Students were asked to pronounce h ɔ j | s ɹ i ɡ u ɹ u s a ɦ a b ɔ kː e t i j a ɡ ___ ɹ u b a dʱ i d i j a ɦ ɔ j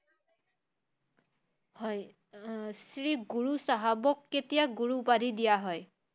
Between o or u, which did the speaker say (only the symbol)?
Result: u